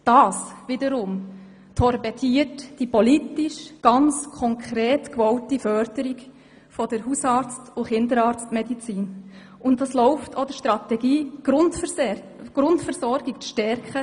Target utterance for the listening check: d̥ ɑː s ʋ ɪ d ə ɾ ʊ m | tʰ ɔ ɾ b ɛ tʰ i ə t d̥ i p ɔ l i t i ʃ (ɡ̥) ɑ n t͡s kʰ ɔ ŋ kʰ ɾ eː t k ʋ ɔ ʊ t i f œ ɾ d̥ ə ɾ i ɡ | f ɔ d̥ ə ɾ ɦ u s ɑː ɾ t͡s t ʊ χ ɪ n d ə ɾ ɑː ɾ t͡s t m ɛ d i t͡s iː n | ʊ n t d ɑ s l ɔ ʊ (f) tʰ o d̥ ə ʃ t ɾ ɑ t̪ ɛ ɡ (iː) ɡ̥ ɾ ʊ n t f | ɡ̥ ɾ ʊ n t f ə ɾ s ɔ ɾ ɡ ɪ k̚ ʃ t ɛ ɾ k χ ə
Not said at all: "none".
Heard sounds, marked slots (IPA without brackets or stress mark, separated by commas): ɡ̥, f, iː